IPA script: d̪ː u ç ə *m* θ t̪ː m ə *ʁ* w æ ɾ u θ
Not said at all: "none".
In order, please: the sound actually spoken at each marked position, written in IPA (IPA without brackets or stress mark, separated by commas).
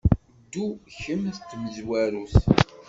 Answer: m, z